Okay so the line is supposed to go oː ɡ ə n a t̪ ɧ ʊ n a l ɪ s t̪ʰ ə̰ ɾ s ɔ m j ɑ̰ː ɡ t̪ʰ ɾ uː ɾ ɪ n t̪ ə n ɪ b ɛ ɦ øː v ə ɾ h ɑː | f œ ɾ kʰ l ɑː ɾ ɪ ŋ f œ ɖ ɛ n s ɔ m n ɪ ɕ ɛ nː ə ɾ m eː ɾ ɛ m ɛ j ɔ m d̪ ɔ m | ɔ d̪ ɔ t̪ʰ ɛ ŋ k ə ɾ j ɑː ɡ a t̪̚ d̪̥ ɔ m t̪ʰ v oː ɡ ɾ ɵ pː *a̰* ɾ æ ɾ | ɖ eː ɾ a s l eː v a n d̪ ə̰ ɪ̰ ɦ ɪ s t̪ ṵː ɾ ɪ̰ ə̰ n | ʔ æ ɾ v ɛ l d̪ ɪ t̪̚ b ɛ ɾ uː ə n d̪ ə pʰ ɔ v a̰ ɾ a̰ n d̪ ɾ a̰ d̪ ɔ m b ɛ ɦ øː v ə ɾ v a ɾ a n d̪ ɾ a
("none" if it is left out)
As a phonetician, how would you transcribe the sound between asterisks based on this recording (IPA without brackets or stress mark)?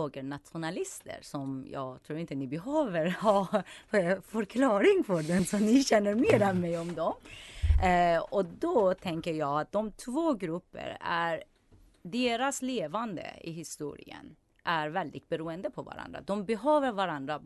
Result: ə̰